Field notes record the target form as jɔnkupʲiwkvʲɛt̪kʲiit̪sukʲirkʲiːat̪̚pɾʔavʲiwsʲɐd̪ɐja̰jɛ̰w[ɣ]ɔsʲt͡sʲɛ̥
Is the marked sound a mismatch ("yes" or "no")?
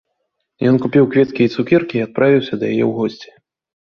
no